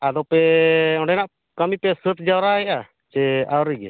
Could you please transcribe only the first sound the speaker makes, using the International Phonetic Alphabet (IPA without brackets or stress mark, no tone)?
a